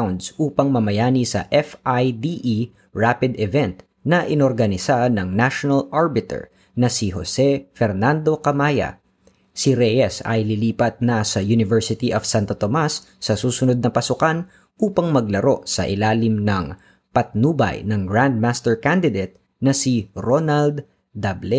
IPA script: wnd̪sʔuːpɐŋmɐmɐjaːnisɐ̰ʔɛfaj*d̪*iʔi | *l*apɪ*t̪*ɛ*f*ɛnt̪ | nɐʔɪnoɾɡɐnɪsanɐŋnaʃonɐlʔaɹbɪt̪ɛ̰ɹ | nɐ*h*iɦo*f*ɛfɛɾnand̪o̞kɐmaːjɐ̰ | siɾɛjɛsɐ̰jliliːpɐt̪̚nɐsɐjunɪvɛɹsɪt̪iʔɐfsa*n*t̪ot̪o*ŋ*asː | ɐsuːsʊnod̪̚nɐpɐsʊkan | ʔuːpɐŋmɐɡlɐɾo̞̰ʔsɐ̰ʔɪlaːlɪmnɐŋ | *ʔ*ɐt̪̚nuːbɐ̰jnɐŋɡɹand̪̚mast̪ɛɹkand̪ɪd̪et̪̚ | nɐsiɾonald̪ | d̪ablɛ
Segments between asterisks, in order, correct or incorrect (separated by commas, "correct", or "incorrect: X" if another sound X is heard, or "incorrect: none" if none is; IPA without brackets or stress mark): correct, incorrect: ɹ, incorrect: d̪, incorrect: v, incorrect: s, incorrect: s, correct, incorrect: m, incorrect: p